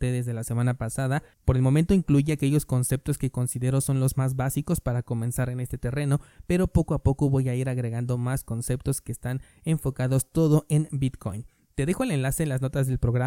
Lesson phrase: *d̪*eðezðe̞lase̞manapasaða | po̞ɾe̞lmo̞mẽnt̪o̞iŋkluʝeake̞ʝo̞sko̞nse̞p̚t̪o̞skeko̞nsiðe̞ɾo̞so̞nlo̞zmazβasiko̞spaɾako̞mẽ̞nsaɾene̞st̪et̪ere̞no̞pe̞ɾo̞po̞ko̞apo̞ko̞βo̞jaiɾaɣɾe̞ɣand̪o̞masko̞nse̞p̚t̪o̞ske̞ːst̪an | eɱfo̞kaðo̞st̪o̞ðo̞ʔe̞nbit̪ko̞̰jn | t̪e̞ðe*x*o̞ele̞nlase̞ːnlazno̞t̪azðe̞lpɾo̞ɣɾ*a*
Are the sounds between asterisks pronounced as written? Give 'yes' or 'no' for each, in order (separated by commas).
no, yes, yes